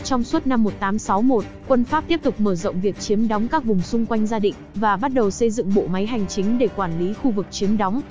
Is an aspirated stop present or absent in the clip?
absent